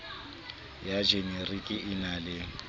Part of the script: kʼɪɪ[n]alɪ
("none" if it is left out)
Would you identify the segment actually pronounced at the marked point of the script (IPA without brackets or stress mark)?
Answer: n